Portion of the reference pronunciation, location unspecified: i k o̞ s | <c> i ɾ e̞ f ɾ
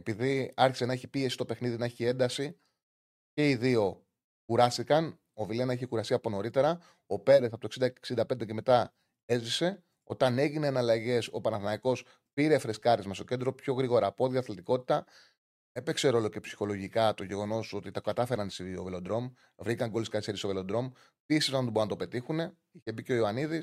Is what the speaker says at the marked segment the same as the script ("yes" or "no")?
no